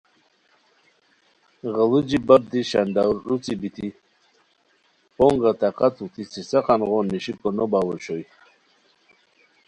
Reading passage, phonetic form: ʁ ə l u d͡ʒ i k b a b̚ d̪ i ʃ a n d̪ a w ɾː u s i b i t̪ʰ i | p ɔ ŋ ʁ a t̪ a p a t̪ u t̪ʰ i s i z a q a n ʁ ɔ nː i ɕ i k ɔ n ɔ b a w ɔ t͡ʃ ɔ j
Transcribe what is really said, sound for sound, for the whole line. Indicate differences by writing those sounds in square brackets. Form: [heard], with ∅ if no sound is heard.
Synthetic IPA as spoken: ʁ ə l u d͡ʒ i [∅] b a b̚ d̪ i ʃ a n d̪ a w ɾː u [t͡s] i b i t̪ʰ i | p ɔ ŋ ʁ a t̪ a [q] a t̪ u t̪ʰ i s i [s] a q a n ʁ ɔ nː i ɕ i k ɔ n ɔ b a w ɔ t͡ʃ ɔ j